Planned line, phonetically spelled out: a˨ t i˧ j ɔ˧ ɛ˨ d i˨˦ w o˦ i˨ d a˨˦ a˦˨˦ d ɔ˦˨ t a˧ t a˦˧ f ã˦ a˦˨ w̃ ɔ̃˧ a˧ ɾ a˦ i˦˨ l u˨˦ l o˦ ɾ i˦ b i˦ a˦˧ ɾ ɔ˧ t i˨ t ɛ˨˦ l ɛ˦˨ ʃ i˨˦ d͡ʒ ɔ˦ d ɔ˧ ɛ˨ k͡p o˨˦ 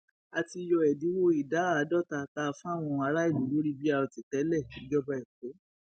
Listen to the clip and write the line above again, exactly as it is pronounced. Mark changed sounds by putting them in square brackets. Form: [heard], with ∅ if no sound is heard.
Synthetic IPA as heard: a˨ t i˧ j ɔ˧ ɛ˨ d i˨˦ w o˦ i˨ d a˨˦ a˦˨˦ d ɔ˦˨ t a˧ t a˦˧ f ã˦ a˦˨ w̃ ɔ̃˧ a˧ ɾ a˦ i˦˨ l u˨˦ l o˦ ɾ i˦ b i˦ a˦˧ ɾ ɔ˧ t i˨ t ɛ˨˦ l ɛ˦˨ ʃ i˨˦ d͡ʒ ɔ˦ [b] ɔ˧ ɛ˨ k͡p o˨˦